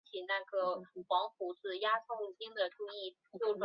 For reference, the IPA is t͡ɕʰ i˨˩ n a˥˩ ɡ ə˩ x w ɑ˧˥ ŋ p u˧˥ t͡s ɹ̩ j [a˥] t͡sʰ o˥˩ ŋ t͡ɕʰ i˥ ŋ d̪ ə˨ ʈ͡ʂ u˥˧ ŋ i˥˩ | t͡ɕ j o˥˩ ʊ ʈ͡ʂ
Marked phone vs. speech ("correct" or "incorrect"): correct